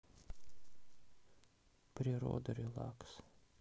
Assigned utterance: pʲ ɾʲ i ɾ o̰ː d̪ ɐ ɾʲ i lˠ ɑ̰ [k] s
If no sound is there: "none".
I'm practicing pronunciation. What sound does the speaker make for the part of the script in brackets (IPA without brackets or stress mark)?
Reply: k